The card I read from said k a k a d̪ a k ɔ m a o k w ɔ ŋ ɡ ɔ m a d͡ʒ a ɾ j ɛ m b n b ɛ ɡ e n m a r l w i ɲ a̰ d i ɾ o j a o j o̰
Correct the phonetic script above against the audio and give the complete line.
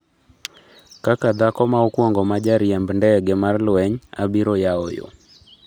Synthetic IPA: k a k a d̪ a k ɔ m a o k w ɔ ŋ ɡ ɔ m a d͡ʒ a ɾ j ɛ m b n d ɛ ɡ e m a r l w ɛ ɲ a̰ b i ɾ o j a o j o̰